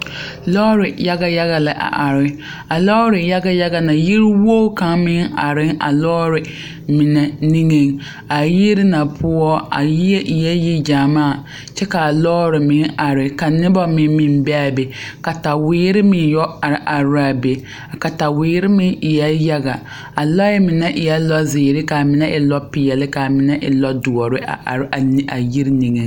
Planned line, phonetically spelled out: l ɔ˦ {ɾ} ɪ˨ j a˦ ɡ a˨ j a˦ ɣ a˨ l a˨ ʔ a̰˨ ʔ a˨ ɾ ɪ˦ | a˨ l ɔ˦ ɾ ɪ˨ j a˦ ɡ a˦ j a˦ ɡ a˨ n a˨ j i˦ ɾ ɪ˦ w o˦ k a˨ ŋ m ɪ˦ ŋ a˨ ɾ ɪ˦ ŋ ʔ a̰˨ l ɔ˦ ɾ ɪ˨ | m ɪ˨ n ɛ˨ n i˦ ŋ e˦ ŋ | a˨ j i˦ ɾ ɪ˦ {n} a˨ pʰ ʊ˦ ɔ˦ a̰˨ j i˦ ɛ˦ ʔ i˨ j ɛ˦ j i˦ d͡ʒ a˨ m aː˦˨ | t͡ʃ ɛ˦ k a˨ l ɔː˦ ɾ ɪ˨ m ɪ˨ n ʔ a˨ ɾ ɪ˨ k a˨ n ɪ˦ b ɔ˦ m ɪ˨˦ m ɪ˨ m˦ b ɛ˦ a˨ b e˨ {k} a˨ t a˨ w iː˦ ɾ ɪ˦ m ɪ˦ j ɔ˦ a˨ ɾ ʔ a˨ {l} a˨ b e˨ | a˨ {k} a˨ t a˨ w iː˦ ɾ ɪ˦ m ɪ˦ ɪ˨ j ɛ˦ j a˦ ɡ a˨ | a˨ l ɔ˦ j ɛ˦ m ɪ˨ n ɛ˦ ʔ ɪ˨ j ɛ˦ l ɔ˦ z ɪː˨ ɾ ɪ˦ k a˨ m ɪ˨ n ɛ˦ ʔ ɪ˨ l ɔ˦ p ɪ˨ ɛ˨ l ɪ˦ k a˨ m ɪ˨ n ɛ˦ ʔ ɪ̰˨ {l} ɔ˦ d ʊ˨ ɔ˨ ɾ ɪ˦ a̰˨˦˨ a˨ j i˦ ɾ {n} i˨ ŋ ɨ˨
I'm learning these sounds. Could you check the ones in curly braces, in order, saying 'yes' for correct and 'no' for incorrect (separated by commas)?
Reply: yes, yes, yes, no, yes, yes, yes